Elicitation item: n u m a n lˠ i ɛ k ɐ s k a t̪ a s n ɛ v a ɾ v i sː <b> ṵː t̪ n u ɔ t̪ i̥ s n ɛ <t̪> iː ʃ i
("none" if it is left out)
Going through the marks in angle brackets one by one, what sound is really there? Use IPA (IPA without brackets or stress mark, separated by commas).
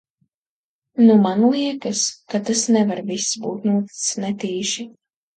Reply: b, t̪